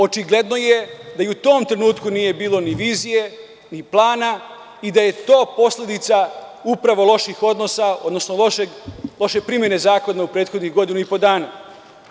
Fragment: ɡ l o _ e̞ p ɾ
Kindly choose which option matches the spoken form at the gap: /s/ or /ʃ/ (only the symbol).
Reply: ʃ